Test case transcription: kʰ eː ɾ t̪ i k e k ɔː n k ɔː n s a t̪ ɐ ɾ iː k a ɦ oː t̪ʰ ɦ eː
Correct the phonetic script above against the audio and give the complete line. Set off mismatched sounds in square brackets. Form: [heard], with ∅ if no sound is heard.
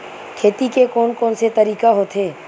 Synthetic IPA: kʰ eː [∅] t̪ i k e k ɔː n k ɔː n s [e] t̪ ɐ ɾ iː k a ɦ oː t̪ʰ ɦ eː